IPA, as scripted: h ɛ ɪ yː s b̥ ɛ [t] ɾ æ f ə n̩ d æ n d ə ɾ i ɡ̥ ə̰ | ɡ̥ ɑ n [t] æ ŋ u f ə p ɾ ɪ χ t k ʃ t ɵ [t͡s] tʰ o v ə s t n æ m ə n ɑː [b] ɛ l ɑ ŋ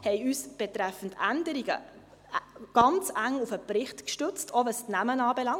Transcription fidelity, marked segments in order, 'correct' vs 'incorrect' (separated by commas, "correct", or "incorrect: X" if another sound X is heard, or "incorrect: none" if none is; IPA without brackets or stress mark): correct, incorrect: t͡s, correct, correct